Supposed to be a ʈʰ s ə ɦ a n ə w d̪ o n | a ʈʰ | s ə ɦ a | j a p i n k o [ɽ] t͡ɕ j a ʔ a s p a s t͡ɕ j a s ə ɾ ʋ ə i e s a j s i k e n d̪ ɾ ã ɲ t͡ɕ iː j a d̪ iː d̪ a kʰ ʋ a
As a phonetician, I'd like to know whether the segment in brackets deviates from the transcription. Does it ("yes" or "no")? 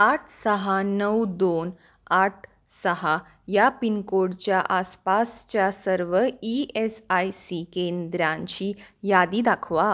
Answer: no